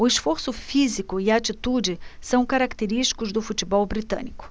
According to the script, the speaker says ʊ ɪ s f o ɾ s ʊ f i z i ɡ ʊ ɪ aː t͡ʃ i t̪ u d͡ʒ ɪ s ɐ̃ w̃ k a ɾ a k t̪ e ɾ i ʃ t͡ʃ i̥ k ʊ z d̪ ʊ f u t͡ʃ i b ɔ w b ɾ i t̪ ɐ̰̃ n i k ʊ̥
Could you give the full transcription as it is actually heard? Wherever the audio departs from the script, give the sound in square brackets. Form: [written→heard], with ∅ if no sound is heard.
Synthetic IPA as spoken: ʊ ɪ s f o ɾ s ʊ f i z i [ɡ→k] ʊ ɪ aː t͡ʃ i t̪ u d͡ʒ ɪ s ɐ̃ w̃ k a ɾ a k t̪ e ɾ i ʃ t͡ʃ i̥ k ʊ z d̪ ʊ f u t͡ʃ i b ɔ w b ɾ i t̪ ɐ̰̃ n i k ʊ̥